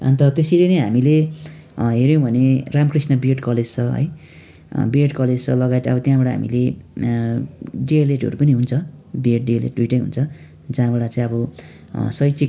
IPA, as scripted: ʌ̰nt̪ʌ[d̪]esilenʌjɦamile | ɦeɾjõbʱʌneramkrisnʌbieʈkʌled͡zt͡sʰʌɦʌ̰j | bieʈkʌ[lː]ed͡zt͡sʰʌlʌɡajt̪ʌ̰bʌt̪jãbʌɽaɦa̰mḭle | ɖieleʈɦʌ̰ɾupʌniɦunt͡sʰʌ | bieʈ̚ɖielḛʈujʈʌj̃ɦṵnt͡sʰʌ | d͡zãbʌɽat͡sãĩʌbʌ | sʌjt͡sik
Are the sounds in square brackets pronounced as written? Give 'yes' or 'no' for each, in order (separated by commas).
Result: no, no